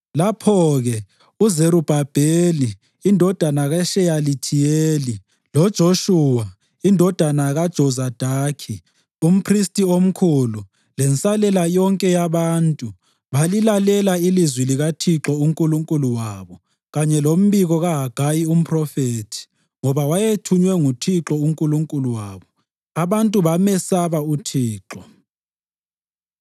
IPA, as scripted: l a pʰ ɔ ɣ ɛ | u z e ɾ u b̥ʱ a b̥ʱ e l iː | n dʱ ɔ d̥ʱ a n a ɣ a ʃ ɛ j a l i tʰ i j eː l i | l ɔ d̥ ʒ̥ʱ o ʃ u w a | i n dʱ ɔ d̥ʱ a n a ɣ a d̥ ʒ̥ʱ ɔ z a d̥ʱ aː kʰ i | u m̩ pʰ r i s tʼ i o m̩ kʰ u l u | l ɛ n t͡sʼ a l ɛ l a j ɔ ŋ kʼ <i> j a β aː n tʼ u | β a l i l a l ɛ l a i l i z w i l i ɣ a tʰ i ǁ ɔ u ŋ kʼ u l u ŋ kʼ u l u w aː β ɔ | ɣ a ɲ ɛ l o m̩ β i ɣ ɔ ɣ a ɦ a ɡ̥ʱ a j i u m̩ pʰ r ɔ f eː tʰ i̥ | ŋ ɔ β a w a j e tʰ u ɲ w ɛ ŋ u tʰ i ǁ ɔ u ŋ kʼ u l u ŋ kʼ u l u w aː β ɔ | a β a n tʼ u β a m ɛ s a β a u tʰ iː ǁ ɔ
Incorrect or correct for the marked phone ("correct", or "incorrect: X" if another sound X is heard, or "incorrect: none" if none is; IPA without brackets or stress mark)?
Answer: incorrect: ɛ